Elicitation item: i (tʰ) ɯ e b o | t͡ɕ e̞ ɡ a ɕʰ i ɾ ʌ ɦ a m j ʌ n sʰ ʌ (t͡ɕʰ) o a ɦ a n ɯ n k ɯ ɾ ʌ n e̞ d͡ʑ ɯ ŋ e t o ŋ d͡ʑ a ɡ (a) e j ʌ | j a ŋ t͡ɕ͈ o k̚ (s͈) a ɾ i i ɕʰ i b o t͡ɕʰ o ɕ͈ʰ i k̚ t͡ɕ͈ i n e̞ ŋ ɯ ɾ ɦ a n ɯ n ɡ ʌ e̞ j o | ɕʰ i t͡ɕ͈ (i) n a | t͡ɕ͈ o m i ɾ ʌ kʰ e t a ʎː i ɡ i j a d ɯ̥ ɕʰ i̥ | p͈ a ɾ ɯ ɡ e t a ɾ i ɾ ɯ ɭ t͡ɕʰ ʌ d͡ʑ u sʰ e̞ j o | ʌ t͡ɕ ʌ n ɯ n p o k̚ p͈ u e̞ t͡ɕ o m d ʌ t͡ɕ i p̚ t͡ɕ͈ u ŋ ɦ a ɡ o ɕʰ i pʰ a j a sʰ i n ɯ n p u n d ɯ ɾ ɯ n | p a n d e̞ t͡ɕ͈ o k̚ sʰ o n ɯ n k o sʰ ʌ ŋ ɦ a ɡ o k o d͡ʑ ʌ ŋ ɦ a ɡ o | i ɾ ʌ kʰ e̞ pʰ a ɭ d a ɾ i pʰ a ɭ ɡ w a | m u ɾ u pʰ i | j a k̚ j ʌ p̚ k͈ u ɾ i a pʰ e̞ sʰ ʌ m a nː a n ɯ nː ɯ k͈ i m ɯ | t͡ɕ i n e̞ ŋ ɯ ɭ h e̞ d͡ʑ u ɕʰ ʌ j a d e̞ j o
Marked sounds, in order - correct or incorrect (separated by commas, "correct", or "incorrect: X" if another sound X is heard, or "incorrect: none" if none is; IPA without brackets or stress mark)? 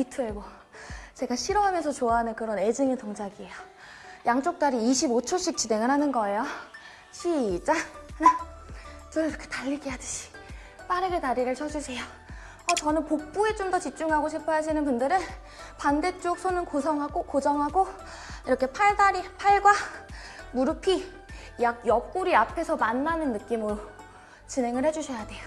correct, incorrect: t͡ɕ, incorrect: i, incorrect: t͈, incorrect: a